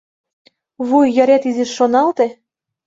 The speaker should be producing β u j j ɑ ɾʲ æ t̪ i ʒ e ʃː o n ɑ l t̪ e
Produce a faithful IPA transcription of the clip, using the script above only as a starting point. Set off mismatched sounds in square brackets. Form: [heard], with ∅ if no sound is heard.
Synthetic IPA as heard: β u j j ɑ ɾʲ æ t̪ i [z] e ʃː o n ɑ l t̪ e